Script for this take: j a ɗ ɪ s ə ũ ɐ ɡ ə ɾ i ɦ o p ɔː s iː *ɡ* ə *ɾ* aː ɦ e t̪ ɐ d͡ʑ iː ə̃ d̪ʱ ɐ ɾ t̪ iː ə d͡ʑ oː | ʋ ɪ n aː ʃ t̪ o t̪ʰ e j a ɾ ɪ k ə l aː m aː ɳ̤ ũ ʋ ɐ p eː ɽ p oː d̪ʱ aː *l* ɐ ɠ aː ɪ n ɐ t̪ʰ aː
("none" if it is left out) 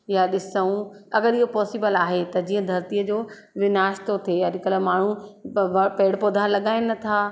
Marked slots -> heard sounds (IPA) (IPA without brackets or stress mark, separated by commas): b, l, l